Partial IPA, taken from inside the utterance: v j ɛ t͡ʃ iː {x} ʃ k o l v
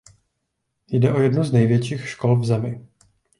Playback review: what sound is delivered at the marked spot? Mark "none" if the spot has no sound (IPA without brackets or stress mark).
x